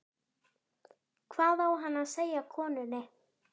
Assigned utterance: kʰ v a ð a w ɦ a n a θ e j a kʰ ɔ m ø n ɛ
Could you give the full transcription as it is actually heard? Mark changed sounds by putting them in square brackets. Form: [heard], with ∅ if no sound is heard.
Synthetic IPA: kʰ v a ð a w ɦ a n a [s] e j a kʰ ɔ [n] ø n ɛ